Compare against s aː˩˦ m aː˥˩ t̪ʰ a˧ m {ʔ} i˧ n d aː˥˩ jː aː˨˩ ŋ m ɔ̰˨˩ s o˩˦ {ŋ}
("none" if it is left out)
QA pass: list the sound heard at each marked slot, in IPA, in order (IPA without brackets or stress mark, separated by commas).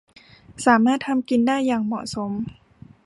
k, m